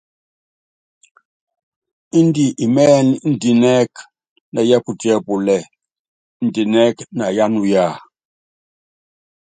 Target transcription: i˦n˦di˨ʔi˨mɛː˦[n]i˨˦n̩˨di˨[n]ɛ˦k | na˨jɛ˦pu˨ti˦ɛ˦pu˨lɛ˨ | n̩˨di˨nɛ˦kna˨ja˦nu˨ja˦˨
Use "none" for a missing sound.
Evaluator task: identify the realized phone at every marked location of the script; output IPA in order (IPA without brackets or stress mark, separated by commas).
n, n